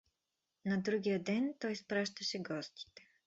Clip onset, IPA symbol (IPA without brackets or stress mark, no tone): n